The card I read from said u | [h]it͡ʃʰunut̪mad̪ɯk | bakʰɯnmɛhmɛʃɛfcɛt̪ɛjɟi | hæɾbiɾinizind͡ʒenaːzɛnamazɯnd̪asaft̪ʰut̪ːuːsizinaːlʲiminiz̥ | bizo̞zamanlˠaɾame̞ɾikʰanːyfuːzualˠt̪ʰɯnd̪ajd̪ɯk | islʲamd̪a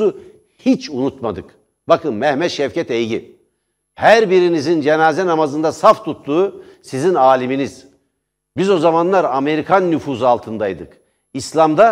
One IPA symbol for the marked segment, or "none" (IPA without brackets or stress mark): h